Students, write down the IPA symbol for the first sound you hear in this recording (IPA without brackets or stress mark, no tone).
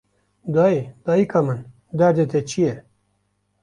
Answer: d̪